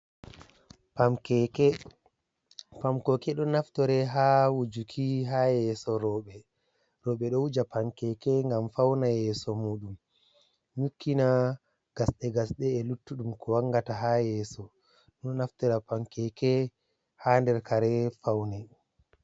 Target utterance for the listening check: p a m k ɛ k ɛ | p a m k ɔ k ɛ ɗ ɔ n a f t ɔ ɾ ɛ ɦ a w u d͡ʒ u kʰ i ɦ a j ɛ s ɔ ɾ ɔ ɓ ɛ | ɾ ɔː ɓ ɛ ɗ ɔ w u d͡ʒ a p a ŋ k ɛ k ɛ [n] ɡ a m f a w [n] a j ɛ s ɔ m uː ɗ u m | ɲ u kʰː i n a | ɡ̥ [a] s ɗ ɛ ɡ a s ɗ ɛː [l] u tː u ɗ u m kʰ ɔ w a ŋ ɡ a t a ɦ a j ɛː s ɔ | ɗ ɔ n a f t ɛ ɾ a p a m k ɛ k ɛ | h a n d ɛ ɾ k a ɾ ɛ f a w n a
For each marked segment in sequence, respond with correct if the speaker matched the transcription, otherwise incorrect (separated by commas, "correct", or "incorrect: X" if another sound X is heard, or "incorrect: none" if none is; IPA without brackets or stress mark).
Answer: incorrect: ŋ, correct, correct, correct